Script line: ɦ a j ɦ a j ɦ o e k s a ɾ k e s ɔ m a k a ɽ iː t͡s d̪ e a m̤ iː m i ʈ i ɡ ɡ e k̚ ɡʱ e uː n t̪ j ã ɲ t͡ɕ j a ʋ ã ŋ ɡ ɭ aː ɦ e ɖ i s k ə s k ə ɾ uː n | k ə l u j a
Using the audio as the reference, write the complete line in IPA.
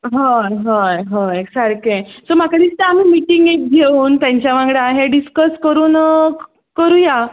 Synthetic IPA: ɦ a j ɦ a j ɦ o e k s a ɾ k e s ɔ m a k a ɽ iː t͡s t̪ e a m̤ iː m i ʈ i ŋ ɡ e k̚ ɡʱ e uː n t̪ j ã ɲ t͡ɕ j a ʋ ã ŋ ɡ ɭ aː ɦ e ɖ i s k ə s k ə ɾ uː n | k ə ɾ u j a